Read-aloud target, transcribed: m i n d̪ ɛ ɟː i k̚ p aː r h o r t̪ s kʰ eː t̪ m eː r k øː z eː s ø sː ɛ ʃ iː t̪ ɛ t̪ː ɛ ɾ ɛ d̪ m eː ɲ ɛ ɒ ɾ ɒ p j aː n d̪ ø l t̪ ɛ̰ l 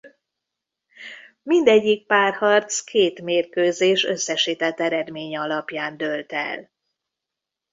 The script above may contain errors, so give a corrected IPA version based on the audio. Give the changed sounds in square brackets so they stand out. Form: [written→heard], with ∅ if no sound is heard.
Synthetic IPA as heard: m i n d̪ ɛ ɟː i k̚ p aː r h [o→ɒ] r t̪ s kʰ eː t̪ m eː r k øː z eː [s→ʃ] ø sː ɛ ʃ iː t̪ ɛ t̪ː ɛ ɾ ɛ d̪ m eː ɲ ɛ ɒ [ɾ→l] ɒ p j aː n d̪ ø l t̪ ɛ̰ l